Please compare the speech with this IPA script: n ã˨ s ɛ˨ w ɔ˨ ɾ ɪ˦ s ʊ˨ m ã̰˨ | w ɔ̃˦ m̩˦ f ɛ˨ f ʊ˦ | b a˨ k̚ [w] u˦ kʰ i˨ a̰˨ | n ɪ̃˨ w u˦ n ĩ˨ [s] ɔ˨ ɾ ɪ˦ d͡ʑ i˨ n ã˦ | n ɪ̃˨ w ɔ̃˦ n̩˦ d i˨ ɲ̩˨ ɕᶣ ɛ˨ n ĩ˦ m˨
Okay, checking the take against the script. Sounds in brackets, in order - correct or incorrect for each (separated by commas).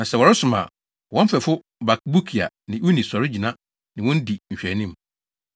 incorrect, correct